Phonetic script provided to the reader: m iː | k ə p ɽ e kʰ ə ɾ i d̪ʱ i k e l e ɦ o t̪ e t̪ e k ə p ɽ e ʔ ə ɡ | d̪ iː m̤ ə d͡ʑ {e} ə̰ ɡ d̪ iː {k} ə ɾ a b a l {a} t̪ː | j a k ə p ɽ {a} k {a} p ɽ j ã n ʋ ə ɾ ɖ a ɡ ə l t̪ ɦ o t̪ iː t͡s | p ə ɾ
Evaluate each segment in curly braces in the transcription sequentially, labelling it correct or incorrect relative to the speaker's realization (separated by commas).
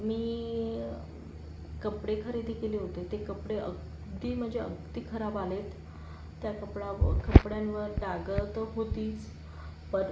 correct, incorrect, incorrect, correct, incorrect